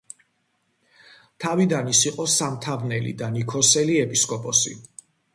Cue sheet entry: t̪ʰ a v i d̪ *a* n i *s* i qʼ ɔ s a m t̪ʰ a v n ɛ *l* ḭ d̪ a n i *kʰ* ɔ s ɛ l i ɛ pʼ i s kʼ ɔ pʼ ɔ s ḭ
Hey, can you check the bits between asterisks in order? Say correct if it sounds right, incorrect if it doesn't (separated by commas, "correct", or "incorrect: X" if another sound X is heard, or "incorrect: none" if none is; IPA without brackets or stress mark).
correct, correct, correct, correct